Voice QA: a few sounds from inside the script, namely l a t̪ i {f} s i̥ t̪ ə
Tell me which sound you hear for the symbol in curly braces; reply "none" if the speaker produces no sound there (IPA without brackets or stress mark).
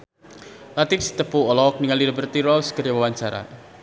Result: f